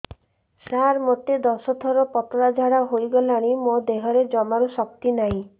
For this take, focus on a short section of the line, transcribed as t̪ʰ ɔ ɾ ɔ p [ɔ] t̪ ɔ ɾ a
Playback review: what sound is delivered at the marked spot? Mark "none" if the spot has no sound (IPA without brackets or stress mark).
ɔ